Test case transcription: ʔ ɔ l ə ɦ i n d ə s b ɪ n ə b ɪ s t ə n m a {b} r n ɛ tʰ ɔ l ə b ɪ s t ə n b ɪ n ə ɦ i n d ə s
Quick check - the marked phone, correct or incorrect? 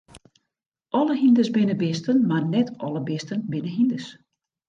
incorrect